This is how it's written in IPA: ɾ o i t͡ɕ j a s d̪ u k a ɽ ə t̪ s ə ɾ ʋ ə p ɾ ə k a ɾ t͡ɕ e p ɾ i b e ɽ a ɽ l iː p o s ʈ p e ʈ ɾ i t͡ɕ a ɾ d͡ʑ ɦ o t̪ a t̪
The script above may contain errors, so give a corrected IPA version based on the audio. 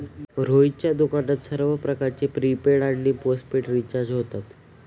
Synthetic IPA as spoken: ɾ o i t͡ɕ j a d̪ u k a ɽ ə t̪ s ə ɾ ʋ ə p ɾ ə k a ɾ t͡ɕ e p ɾ i p e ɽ a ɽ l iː p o s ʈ p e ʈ ɾ i t͡ɕ a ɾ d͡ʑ ɦ o t̪ a t̪